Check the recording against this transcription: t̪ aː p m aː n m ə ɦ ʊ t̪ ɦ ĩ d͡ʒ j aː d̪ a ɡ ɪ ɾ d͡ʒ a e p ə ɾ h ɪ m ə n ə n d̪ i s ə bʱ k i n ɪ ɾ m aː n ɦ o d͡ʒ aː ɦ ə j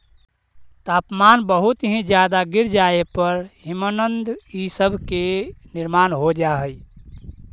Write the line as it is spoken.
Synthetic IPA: t̪ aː p m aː n b ə ɦ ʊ t̪ ɦ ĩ d͡ʒ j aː d̪ a ɡ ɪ ɾ d͡ʒ a e p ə ɾ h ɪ m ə n ə n d̪ i s ə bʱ k e n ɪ ɾ m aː n ɦ o d͡ʒ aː ɦ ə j